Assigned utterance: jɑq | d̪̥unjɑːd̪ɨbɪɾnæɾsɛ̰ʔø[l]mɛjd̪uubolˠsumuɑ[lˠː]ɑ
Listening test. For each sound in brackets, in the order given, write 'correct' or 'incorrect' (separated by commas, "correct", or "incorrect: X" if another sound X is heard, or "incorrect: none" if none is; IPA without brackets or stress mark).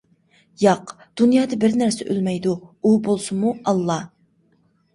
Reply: correct, correct